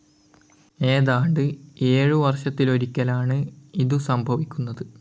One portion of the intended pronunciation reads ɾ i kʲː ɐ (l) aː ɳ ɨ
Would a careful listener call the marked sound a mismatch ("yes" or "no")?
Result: no